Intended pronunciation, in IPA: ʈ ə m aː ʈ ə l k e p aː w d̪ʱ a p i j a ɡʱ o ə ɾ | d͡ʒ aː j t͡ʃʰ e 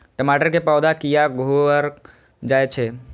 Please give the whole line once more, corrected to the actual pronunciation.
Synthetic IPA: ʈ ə m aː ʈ ə ɾ k e p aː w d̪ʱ a k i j a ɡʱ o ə ɾ | d͡ʒ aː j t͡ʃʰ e